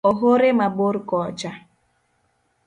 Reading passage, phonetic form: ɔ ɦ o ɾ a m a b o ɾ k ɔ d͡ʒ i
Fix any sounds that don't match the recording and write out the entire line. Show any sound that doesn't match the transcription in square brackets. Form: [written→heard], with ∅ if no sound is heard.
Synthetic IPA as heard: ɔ ɦ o ɾ [a→e] m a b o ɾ k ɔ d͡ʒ [i→a]